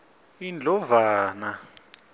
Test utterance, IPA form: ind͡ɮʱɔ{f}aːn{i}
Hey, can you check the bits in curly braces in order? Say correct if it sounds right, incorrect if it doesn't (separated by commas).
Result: incorrect, incorrect